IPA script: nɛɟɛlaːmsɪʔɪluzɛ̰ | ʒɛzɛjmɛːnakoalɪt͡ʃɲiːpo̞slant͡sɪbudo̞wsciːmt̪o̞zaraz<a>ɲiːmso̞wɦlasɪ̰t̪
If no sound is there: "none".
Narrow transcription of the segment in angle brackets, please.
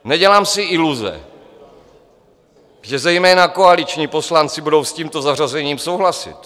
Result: ɛ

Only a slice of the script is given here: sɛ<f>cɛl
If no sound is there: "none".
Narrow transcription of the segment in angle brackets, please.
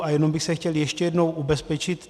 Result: x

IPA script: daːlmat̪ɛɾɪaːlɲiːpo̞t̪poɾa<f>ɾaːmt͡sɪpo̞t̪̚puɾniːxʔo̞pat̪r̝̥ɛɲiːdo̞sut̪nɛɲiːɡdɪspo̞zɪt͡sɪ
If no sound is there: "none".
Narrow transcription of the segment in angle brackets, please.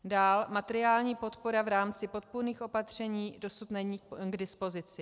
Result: v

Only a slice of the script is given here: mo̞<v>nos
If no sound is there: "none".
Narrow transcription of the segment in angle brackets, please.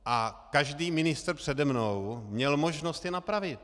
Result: ʒ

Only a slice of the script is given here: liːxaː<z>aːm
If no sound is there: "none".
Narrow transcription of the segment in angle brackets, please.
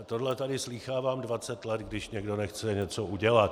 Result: v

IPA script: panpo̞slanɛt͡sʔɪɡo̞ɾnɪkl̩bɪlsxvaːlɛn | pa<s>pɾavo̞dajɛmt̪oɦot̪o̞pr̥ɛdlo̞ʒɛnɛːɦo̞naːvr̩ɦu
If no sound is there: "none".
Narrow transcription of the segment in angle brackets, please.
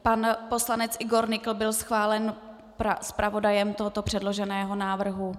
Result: s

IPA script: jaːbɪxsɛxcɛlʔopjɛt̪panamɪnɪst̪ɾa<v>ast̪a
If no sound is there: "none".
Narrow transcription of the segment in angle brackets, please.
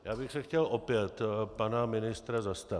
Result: z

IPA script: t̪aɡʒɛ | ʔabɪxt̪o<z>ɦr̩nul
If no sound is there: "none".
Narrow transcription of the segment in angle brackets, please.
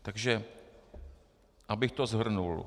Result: z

